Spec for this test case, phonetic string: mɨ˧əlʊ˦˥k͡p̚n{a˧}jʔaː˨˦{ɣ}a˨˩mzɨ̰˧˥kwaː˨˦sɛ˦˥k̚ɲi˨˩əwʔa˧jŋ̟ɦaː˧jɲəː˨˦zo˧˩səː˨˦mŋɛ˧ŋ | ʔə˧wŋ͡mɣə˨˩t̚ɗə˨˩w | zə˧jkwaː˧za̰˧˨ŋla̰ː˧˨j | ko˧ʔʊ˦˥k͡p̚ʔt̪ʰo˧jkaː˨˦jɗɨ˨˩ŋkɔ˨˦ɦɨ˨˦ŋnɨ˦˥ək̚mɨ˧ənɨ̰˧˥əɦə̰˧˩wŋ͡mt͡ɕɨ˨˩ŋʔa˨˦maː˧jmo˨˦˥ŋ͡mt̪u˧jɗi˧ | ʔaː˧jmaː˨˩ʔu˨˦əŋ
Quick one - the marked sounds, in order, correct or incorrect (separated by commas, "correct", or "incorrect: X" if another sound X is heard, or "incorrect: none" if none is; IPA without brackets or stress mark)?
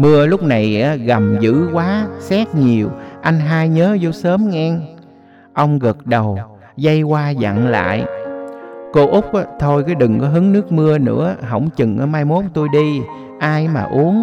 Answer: incorrect: a˨˩, correct